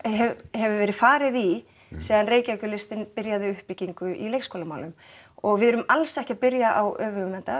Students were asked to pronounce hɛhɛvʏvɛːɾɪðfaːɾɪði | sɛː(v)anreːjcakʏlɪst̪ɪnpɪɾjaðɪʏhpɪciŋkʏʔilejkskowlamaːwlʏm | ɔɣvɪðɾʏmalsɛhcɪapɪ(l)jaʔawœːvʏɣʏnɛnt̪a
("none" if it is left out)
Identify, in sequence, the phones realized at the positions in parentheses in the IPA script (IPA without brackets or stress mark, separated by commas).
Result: ð, ɾ